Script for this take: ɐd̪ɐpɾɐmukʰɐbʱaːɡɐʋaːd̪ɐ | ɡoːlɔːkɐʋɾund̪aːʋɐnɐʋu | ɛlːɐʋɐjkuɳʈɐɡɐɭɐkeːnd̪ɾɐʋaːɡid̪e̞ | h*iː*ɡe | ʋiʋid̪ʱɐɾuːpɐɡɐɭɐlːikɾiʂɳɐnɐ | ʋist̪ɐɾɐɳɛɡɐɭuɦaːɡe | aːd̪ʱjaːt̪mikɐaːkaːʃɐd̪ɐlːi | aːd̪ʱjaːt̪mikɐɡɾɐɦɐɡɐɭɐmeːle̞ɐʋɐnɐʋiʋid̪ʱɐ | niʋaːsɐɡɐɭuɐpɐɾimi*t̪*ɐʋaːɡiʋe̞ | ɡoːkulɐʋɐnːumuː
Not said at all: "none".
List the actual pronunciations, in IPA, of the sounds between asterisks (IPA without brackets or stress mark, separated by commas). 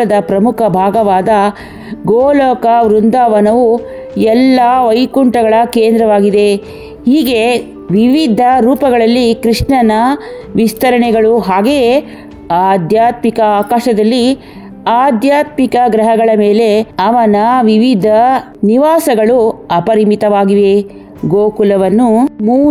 iː, t̪